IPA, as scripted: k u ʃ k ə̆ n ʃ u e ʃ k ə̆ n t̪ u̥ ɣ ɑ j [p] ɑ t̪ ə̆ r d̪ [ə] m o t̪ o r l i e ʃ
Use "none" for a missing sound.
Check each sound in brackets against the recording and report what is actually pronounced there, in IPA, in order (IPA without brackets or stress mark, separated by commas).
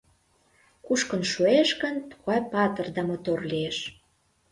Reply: p, ɑ